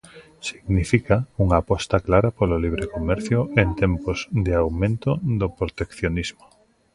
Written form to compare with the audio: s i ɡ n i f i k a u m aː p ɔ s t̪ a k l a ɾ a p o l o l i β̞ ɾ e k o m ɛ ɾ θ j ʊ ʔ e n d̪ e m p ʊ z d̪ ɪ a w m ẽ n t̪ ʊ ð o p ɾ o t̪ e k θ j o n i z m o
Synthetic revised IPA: s i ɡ n i f i k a u ŋ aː p ɔ s t̪ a k l a ɾ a p o l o l i β̞ ɾ e k o m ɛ ɾ θ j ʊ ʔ e n t̪ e m p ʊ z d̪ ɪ a w m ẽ n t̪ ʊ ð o p ɾ o t̪ e k θ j o n i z m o